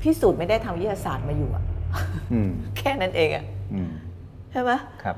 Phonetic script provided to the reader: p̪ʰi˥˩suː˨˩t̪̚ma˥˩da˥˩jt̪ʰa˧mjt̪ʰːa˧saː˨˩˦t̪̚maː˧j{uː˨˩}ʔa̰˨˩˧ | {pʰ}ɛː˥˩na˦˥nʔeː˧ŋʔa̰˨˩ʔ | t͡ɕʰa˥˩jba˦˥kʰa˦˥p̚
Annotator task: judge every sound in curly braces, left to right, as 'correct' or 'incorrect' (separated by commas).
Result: correct, incorrect